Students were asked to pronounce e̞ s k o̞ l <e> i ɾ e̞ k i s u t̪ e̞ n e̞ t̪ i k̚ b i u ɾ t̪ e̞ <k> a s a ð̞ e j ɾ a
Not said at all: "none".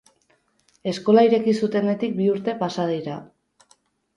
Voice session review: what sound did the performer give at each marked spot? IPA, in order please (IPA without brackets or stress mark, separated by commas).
a, p